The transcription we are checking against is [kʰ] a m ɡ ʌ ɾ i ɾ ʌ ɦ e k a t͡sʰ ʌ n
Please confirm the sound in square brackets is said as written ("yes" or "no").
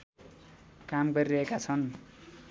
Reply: no